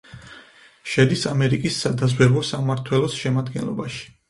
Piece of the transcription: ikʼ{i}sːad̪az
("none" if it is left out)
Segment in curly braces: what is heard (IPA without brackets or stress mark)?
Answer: i